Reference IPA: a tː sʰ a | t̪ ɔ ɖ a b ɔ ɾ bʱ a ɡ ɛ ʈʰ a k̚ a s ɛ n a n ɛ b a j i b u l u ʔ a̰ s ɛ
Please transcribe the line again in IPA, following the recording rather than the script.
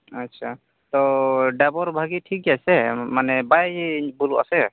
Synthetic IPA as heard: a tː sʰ a | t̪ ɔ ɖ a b ɔ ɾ bʱ a ɡ i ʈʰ i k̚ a s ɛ m a n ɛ b a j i b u l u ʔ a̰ s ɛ